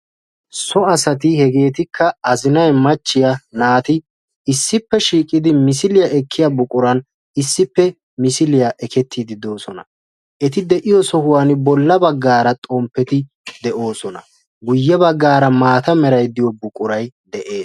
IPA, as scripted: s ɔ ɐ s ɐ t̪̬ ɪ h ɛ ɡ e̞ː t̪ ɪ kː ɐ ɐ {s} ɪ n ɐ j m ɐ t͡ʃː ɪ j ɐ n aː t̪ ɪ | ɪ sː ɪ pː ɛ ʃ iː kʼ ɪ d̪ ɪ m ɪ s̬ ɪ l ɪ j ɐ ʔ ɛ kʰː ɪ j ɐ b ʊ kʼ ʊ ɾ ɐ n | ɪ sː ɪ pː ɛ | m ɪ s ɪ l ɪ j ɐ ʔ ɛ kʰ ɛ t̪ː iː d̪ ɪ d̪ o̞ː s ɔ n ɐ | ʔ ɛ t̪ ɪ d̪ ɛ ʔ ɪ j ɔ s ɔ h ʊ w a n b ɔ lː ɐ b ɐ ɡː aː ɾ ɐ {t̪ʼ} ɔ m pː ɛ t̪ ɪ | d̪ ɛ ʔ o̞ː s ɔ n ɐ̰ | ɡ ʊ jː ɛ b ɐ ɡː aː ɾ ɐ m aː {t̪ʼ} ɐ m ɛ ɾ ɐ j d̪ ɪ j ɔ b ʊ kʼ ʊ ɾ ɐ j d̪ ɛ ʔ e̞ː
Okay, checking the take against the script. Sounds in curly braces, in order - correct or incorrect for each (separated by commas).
incorrect, correct, incorrect